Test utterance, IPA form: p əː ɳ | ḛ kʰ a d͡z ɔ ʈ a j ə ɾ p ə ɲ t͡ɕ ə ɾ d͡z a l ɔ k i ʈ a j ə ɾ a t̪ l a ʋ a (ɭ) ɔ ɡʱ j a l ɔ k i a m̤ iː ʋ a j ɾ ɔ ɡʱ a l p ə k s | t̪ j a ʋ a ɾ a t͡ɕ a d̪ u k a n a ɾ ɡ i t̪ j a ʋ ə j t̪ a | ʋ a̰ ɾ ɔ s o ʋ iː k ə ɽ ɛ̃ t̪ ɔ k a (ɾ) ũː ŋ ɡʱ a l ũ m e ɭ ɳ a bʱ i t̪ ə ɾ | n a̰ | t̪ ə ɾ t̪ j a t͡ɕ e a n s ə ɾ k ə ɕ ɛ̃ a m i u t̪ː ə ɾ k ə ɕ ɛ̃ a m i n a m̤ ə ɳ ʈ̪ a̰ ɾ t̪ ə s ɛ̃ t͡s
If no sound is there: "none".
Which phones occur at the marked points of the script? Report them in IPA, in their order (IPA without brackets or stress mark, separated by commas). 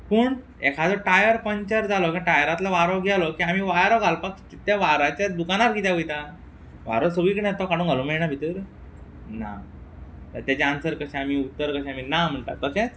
ɾ, ɽ